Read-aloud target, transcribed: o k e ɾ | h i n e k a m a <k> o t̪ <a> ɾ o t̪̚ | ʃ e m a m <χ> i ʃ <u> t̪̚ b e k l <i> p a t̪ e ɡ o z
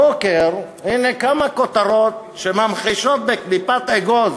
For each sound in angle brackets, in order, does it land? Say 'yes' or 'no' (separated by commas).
yes, yes, yes, no, yes